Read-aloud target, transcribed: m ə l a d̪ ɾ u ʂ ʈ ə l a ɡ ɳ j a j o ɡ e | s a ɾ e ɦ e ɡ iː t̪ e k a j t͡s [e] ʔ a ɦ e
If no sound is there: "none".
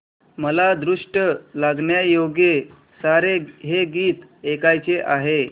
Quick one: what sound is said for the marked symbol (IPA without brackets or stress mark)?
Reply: e